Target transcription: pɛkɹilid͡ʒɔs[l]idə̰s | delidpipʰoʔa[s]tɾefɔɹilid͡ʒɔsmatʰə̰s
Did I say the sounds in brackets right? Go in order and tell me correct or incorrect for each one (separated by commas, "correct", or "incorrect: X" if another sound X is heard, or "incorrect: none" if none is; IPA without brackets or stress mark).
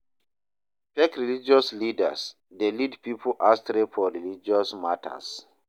correct, correct